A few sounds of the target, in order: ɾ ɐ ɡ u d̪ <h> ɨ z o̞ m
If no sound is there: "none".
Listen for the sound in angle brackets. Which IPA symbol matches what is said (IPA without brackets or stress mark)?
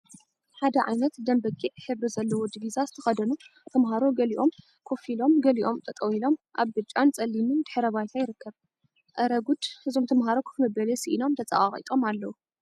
h